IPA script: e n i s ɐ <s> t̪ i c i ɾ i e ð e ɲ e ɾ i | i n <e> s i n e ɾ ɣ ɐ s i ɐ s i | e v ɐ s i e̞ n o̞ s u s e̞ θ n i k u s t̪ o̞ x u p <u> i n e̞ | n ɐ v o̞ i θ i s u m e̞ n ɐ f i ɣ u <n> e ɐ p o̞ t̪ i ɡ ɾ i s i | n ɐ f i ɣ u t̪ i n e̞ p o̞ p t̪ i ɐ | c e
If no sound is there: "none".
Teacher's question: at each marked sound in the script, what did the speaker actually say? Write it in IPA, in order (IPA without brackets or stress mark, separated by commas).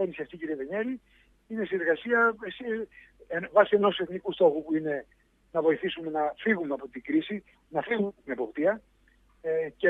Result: f, e, u, m